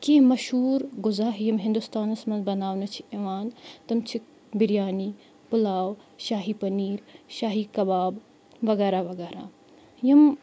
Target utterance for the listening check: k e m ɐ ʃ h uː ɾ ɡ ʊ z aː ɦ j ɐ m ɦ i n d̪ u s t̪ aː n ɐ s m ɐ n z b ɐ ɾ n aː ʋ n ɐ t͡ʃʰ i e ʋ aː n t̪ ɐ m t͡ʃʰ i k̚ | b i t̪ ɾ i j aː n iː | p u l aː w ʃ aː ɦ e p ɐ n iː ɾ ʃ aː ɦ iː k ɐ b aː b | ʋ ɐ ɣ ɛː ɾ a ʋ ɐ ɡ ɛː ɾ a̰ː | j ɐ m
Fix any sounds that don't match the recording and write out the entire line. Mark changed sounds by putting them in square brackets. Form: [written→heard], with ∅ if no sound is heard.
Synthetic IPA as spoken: k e m ɐ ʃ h uː ɾ ɡ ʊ z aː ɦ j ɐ m ɦ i n d̪ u s t̪ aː n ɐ s m ɐ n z b ɐ [ɾ→∅] n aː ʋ n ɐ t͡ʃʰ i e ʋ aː n t̪ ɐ m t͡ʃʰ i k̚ | b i [t̪→∅] ɾ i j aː n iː | p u l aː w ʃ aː ɦ [e→i] p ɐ n iː ɾ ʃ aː ɦ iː k ɐ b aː b | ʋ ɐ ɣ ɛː ɾ a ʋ ɐ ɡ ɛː ɾ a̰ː | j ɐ m